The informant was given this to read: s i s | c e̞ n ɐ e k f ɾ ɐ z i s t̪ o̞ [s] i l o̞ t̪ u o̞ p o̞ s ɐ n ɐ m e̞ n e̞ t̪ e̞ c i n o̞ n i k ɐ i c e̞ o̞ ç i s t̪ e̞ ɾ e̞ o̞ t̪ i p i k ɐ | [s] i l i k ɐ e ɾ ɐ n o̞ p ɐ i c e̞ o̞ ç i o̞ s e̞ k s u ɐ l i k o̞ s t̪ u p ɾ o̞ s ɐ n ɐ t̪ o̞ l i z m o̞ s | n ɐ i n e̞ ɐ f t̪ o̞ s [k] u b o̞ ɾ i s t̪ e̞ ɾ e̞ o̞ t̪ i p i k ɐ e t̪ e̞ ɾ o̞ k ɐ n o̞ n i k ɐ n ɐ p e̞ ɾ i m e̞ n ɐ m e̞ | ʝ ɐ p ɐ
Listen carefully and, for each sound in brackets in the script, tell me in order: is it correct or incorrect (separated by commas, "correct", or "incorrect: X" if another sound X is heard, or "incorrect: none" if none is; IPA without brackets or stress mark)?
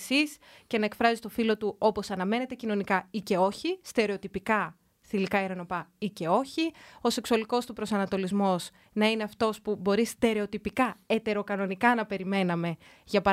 incorrect: f, incorrect: θ, incorrect: p